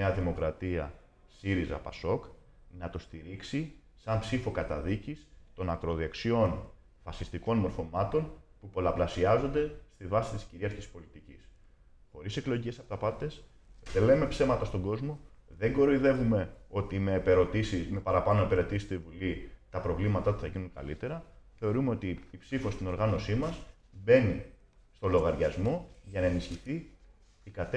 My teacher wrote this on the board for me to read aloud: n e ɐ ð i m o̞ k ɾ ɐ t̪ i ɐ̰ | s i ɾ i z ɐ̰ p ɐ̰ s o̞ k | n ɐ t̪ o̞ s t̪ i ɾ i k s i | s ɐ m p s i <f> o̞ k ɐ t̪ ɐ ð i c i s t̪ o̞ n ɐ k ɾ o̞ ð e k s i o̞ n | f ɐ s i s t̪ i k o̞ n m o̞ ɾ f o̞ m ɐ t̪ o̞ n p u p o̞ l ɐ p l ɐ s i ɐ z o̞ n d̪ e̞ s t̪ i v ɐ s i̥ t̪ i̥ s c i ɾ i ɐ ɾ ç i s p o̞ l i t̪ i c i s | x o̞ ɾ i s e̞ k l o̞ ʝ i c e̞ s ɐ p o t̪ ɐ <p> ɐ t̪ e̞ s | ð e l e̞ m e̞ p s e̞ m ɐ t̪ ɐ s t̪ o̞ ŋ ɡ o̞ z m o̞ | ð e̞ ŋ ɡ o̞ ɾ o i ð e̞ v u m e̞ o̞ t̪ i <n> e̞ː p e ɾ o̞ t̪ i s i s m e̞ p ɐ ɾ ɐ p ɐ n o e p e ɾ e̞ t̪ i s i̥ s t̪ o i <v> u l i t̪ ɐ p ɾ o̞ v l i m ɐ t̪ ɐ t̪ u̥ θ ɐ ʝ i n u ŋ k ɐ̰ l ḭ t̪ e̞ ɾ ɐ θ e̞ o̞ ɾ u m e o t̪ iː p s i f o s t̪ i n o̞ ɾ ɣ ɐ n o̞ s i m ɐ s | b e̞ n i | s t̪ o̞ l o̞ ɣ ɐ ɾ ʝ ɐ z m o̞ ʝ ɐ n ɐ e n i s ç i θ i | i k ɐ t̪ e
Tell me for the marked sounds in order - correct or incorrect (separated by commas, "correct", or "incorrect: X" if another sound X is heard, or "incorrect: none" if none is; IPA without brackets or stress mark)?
correct, correct, incorrect: m, correct